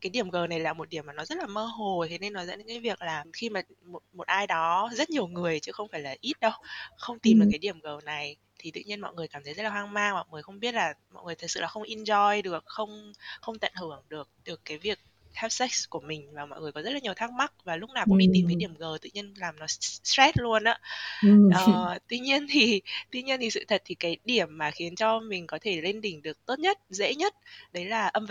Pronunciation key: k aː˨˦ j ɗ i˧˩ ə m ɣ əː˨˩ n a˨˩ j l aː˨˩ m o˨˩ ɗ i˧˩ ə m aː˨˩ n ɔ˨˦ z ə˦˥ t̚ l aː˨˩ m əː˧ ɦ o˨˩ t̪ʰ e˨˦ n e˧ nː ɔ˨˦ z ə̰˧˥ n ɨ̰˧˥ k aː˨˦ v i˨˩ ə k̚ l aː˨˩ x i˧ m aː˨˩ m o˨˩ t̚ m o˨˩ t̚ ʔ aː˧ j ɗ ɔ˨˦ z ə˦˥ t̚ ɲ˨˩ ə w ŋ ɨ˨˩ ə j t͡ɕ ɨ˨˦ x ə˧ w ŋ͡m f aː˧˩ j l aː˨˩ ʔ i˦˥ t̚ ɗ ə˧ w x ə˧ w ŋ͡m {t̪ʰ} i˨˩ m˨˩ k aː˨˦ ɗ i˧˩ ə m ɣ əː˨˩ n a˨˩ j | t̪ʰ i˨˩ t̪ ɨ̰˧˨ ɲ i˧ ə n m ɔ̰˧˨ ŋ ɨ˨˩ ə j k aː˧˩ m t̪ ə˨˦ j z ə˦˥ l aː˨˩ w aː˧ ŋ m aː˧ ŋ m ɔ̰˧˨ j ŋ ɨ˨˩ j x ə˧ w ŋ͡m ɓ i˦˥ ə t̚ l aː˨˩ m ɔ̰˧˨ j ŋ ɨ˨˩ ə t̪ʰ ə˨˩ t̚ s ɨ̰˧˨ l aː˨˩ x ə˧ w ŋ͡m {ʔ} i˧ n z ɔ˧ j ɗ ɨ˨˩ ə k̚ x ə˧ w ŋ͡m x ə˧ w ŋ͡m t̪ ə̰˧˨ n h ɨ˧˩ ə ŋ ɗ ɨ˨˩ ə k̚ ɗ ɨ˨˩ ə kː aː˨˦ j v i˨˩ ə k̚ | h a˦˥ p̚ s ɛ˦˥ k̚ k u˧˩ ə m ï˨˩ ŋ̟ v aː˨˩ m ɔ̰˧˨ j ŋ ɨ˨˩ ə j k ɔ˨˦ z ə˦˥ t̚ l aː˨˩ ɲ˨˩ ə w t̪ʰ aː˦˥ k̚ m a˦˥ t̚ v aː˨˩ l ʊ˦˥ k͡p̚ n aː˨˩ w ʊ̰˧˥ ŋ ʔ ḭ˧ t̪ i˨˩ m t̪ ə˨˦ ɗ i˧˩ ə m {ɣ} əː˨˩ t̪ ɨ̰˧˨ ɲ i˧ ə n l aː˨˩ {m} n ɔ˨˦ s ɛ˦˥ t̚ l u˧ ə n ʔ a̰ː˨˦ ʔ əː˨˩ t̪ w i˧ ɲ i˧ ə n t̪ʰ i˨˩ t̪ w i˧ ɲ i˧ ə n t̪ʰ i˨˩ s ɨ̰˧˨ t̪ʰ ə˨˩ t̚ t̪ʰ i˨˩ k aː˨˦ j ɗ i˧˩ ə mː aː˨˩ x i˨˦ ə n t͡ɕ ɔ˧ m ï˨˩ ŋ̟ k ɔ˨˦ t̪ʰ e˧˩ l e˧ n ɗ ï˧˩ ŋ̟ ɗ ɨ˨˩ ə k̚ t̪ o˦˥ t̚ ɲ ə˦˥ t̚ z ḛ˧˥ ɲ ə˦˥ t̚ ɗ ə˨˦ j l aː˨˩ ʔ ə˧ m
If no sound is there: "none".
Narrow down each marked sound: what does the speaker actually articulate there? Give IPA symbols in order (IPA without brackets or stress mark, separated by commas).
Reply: t̪, ʔ, ɣ, m